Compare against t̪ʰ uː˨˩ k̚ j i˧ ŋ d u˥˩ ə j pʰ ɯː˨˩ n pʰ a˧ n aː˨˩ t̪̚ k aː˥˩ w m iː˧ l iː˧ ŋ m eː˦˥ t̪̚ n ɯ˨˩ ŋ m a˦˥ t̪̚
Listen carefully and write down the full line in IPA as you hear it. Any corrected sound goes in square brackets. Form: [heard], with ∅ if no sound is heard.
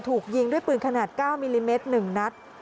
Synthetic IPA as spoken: t̪ʰ uː˨˩ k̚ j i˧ ŋ d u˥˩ ə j [p] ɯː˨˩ n [kʰ] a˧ n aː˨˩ t̪̚ k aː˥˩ w m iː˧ l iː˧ [∅] m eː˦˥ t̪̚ n ɯ˨˩ ŋ [n] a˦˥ t̪̚